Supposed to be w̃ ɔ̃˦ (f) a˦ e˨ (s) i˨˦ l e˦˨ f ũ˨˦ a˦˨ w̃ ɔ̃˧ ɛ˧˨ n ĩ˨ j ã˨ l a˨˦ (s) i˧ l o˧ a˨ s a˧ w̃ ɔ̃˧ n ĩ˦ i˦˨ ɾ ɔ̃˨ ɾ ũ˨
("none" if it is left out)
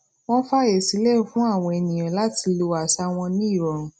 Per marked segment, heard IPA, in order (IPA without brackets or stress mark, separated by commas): f, s, t